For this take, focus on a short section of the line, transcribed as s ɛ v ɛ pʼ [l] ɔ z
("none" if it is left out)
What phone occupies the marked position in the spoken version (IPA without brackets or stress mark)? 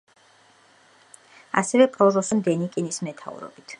ɾ